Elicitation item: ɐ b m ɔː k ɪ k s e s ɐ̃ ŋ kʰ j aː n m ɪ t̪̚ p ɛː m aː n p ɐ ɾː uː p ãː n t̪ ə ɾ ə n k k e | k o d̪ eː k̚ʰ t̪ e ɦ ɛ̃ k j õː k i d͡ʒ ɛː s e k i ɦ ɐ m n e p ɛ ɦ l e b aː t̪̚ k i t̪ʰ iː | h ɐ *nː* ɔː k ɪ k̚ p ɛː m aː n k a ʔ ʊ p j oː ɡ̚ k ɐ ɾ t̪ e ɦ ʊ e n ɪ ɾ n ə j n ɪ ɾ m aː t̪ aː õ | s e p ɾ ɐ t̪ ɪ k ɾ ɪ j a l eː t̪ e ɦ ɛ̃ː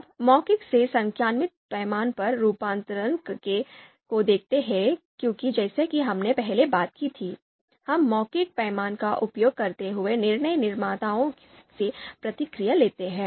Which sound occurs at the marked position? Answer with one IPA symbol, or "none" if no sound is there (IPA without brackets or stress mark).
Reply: mː